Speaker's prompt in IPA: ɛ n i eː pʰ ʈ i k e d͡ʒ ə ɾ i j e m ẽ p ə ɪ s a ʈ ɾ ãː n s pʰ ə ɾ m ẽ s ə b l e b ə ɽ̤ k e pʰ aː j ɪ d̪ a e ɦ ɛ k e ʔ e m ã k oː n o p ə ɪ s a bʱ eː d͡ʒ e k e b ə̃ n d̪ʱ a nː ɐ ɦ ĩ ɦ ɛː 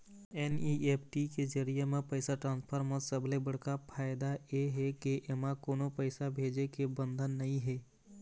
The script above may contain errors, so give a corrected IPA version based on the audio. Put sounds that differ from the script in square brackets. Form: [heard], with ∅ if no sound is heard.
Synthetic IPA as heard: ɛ n i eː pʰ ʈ i k e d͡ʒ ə ɾ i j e m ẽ p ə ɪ s a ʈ ɾ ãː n s pʰ ə ɾ m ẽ s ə b l e b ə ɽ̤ k [a] pʰ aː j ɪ d̪ a e ɦ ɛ k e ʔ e m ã k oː n o p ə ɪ s a bʱ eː d͡ʒ e k e b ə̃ n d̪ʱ [ə] nː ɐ ɦ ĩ ɦ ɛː